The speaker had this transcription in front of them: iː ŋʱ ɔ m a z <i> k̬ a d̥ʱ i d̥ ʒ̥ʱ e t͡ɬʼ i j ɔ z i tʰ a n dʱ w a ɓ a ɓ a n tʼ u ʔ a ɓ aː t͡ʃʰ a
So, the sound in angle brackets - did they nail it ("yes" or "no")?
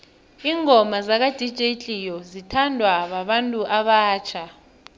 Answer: no